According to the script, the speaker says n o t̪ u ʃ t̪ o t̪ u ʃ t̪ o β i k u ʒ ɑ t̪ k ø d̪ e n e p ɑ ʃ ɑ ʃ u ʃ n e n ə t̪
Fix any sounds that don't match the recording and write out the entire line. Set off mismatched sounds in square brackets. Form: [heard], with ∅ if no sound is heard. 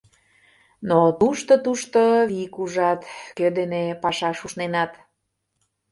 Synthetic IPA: n o t̪ u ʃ t̪ o t̪ u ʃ t̪ o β i k u ʒ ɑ t̪ k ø d̪ e n e p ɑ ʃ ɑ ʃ u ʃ n e n [ɑ] t̪